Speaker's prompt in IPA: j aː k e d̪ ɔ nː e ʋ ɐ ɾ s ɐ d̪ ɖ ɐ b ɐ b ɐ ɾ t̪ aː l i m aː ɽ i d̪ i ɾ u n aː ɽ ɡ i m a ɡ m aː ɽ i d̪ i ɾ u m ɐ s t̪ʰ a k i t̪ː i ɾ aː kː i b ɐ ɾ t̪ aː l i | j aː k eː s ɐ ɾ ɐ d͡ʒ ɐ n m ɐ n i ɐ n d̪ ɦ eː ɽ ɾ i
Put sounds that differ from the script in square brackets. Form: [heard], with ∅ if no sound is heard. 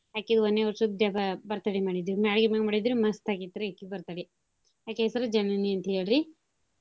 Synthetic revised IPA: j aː k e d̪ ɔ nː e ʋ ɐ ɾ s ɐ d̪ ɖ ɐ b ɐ b ɐ ɾ t̪ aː [ɽ] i m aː ɽ i d̪ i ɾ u [m] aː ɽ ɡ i m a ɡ m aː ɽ i d̪ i ɾ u m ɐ s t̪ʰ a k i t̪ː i ɾ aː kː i b ɐ ɾ t̪ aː [ɽ] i | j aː k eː s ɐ ɾ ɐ d͡ʒ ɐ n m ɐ n i ɐ n [t̪] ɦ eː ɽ ɾ i